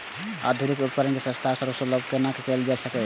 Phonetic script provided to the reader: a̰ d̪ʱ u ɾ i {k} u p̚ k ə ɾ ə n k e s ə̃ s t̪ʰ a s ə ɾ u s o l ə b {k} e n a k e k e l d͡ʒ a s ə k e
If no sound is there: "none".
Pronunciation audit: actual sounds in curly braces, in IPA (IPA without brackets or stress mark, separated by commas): k, k